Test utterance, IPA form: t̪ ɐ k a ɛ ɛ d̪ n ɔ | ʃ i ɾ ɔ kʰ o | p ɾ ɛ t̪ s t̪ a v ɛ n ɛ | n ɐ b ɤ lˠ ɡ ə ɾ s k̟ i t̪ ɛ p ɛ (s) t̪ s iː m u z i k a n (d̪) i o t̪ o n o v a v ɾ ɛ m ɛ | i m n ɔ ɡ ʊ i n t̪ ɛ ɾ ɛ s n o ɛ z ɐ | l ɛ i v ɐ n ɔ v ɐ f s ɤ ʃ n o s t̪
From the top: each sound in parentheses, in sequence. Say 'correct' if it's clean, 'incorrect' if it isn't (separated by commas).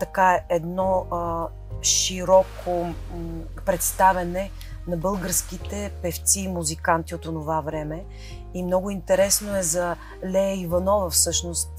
incorrect, incorrect